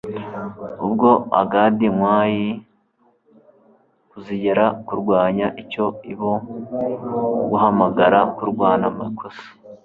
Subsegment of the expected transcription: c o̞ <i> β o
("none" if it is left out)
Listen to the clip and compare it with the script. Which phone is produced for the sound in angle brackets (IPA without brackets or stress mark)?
i